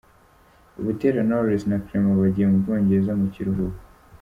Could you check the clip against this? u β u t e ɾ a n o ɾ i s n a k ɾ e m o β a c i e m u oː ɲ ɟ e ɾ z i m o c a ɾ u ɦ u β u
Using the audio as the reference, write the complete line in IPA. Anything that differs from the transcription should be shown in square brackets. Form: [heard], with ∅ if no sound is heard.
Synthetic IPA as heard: u β u t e ɾ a n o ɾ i s n a k ɾ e m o β a [ɟ] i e m u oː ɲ ɟ e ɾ z [a] m [u] c [i] ɾ u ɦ u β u